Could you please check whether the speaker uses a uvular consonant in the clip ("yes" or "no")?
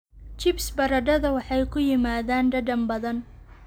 no